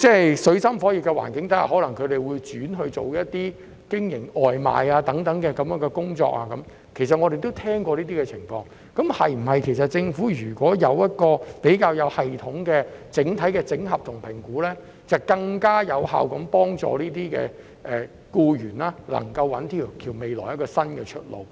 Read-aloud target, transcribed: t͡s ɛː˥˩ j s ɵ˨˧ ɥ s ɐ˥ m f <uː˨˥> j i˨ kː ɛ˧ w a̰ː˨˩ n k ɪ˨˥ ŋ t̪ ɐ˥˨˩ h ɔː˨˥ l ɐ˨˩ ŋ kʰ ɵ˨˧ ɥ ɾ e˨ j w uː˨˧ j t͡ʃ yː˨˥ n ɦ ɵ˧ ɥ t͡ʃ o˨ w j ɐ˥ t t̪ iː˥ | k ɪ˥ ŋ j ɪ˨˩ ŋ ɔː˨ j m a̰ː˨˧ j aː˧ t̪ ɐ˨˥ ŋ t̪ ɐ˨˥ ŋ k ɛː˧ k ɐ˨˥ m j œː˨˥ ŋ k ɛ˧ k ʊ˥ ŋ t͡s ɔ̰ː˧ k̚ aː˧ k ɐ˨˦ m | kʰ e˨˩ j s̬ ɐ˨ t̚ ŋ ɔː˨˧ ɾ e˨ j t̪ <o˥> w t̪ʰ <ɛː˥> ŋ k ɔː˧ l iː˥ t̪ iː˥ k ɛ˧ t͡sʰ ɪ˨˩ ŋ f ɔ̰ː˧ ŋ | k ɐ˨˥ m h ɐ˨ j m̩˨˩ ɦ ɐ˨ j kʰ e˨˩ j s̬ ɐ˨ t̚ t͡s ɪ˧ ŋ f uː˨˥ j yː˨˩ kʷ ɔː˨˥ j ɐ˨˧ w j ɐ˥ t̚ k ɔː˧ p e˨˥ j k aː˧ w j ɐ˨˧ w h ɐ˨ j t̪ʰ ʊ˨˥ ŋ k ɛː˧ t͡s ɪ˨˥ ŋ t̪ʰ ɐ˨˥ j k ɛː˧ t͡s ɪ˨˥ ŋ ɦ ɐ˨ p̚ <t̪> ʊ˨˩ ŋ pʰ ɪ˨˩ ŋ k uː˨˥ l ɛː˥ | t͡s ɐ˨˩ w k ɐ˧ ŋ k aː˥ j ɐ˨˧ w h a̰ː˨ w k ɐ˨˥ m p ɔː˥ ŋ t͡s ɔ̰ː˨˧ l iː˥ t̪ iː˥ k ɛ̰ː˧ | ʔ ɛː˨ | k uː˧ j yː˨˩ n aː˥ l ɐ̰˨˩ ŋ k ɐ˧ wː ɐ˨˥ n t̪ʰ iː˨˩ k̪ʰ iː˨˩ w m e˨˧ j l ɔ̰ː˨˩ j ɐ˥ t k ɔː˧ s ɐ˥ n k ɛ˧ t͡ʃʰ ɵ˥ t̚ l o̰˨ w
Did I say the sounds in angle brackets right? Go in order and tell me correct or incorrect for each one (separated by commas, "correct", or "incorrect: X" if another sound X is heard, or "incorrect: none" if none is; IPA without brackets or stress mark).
incorrect: ɔː˨˥, correct, correct, incorrect: t̪ʰ